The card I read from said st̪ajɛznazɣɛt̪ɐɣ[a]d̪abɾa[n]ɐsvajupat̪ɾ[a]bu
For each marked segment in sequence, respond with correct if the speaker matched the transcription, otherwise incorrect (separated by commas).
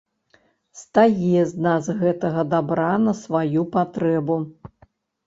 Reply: incorrect, correct, incorrect